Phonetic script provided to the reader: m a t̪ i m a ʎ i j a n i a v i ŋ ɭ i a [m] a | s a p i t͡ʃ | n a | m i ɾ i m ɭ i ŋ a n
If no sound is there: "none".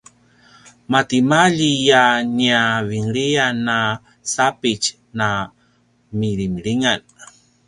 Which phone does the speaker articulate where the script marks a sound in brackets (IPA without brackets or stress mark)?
n